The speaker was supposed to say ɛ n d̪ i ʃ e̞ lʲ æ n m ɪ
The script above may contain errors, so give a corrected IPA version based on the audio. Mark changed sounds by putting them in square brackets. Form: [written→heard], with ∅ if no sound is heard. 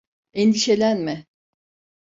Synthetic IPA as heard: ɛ n d̪ i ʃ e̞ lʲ æ n m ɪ